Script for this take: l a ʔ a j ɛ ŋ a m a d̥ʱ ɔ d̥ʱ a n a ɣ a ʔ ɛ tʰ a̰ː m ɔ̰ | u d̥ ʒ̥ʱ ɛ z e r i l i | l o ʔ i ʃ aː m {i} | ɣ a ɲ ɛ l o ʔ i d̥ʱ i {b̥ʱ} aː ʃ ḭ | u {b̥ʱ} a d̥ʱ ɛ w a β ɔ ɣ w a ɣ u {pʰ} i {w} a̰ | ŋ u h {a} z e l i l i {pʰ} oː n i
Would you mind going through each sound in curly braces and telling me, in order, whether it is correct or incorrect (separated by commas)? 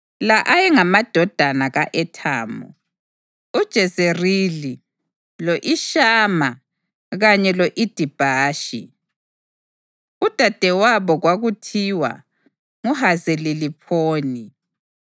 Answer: incorrect, correct, incorrect, incorrect, correct, correct, correct